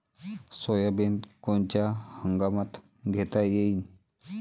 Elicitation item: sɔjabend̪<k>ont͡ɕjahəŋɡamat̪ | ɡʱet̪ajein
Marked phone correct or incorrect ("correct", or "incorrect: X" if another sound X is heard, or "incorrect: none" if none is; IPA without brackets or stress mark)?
correct